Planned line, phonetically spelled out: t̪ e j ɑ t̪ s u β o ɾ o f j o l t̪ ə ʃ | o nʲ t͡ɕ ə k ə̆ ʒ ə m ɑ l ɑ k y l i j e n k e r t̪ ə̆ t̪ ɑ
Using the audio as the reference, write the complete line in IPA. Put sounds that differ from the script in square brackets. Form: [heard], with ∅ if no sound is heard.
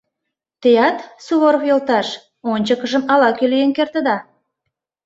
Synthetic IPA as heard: t̪ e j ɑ t̪ s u β o ɾ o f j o l t̪ [ɑ] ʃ | o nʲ t͡ɕ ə k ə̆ ʒ ə m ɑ l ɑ k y l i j e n k e r t̪ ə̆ [d̪] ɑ

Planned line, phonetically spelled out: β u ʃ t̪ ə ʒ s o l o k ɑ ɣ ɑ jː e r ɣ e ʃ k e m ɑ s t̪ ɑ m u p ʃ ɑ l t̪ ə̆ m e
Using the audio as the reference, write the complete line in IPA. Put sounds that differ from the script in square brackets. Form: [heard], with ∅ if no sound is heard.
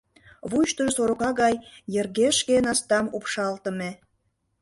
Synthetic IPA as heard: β u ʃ t̪ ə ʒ s o [ɾ] o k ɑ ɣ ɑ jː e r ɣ e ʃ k e [n] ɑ s t̪ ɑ m u p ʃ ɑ l t̪ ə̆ m e

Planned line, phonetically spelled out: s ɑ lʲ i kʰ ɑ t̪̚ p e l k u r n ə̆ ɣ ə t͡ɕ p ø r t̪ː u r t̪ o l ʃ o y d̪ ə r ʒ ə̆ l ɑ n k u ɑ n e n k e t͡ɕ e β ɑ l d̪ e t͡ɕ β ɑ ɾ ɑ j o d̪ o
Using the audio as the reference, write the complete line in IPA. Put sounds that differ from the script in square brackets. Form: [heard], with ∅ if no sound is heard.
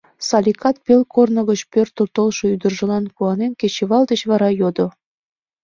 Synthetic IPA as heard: s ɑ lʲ i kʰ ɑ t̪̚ p e l k [o] r n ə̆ ɣ ə t͡ɕ p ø r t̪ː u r t̪ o l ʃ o y d̪ ə r ʒ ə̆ l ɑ n k u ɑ n e n k e t͡ɕ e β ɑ l d̪ e t͡ɕ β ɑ ɾ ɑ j o d̪ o

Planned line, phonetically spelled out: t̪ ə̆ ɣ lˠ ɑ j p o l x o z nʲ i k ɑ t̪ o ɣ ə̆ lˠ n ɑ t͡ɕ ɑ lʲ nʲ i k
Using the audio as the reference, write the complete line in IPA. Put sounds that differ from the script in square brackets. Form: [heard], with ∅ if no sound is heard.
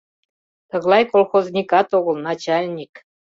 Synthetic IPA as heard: t̪ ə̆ ɣ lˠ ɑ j [k] o l x o z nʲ i k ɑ t̪ o ɣ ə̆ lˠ n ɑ t͡ɕ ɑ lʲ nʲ i k

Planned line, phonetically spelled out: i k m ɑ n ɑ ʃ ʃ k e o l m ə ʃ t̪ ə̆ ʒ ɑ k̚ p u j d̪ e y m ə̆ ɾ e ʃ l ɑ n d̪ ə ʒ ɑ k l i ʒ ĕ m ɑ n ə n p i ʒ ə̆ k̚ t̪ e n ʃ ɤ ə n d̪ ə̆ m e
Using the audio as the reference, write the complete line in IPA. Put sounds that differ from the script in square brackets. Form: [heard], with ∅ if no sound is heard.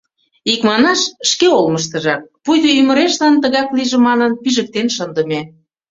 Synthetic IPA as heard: i k m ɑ n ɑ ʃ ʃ k e o l m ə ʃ t̪ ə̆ ʒ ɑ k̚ p u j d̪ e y m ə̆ ɾ e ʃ l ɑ n [t̪] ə [ɣ] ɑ k l i ʒ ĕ m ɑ n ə n p i ʒ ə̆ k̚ t̪ e n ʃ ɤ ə n d̪ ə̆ m e

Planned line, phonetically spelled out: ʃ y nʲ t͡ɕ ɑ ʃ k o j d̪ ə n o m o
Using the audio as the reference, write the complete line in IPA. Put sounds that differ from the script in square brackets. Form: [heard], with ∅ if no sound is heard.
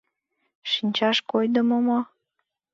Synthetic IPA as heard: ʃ [i] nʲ t͡ɕ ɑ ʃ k o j d̪ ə [m] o m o

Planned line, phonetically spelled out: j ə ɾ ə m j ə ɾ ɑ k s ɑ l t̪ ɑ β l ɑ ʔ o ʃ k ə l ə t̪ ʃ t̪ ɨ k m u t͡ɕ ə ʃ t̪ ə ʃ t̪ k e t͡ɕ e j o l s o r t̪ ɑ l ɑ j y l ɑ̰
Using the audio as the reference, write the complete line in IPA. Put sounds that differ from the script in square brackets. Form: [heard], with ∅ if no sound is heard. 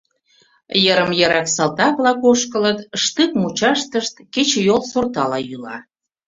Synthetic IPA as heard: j ə ɾ ə m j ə ɾ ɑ k s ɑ l t̪ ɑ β l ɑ [k] o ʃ k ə l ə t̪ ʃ t̪ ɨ k m u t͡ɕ [ɑ] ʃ t̪ ə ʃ t̪ k e t͡ɕ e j o l s o r t̪ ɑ l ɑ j y l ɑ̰

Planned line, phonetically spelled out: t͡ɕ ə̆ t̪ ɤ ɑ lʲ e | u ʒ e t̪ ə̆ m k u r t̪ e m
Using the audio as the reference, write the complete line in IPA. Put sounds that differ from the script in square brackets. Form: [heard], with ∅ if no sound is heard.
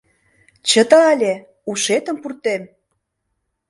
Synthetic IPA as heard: t͡ɕ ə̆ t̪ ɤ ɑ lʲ e | u [ʃ] e t̪ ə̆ m [p] u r t̪ e m

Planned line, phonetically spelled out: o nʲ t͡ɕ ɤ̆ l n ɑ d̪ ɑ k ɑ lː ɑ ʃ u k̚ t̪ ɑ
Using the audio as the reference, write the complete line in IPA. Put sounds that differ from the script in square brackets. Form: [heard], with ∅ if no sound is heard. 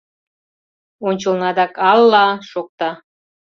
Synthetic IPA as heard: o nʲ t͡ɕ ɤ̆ l n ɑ d̪ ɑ k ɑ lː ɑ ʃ [o] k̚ t̪ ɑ

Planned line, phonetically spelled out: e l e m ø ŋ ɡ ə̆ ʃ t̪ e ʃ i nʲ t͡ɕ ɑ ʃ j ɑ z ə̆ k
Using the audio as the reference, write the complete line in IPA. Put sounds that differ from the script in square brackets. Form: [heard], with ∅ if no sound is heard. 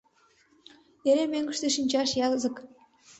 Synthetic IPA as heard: e [ɾ] e m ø ŋ ɡ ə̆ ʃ t̪ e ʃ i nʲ t͡ɕ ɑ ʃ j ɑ z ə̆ k

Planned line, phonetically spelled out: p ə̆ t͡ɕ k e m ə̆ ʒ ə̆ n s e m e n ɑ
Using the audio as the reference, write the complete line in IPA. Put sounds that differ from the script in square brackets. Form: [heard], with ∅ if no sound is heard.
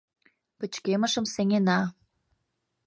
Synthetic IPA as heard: p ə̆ t͡ɕ k e m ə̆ [ʃ] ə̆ [m] s e [ŋ] e n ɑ

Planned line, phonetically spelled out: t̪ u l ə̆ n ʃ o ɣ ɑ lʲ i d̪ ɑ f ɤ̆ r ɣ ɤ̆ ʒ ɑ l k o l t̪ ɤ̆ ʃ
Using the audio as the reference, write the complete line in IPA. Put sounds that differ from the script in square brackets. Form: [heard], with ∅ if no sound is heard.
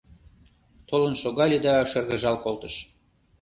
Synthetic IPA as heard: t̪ [o] l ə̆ n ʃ o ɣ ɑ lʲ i d̪ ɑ [ʃ] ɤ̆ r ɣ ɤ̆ ʒ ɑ l k o l t̪ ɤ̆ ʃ

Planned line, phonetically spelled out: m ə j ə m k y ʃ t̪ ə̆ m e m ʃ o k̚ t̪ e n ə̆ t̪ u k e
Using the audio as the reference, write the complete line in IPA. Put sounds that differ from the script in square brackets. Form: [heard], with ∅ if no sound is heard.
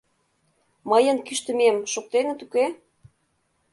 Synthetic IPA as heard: m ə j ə [n] k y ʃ t̪ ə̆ m e m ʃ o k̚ t̪ e n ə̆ t̪ u k e

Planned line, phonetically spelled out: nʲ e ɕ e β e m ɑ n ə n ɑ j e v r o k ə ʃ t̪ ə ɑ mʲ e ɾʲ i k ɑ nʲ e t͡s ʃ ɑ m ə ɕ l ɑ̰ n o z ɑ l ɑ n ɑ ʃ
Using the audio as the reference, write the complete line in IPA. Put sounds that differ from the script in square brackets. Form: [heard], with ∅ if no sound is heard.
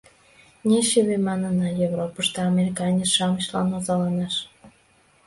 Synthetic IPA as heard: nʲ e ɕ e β e m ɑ n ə n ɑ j e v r o [p] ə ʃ t̪ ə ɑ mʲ e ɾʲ i k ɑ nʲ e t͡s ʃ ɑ m ə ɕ l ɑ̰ n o z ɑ l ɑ n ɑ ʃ

